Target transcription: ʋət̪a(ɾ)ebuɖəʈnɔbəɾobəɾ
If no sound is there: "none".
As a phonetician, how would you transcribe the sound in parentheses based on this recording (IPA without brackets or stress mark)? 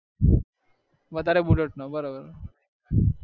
ɾ